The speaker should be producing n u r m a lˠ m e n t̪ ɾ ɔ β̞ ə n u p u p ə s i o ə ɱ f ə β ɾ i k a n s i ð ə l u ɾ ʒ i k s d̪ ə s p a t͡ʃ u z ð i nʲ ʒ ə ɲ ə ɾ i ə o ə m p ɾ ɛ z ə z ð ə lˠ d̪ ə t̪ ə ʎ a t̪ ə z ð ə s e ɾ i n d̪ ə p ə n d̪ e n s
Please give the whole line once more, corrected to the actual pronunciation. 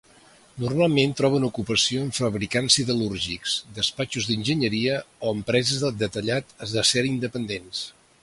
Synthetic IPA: n u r m a lˠ m e n t̪ ɾ ɔ β̞ ə n u k u p ə s i o ə ɱ f ə β ɾ i k a n s i ð ə l u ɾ ʒ i k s d̪ ə s p a t͡ʃ u z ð i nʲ ʒ ə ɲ ə ɾ i ə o ə m p ɾ ɛ z ə z ð ə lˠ d̪ ə t̪ ə ʎ a t̪ ə z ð ə s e ɾ i n d̪ ə p ə n d̪ e n s